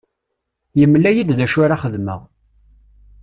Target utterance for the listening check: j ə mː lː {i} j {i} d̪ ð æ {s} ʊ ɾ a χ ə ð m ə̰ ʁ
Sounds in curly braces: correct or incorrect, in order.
incorrect: æ, correct, incorrect: ʃ

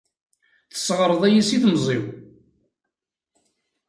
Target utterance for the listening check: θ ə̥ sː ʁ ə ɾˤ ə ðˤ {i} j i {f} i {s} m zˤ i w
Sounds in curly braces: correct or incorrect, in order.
incorrect: æ, incorrect: s, incorrect: θ

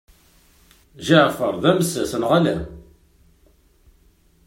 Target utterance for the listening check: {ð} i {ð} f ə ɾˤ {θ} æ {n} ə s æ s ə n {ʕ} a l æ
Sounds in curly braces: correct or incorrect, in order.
incorrect: ʒ, incorrect: ʕ, incorrect: ð, incorrect: m, incorrect: ʁ

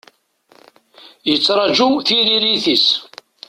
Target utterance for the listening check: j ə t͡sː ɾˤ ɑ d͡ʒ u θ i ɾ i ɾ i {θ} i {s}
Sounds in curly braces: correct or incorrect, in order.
correct, correct

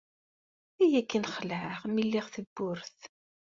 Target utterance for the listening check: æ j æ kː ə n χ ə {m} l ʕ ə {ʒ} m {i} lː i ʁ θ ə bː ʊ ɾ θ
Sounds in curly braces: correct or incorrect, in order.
incorrect: none, incorrect: ʁ, correct

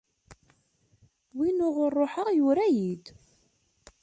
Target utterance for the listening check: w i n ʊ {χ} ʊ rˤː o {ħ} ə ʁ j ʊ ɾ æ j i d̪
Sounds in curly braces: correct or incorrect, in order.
incorrect: ʁ, correct

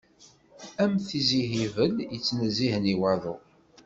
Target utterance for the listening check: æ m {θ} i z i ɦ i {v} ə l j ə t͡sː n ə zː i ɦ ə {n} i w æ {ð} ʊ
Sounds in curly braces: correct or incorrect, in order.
correct, correct, correct, correct

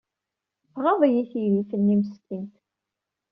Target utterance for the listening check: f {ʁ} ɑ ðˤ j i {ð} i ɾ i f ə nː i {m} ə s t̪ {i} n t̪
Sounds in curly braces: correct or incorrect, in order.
correct, incorrect: θ, correct, correct

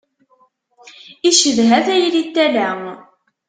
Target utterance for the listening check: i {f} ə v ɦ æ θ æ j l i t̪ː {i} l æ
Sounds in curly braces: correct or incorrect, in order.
incorrect: ʃ, incorrect: æ

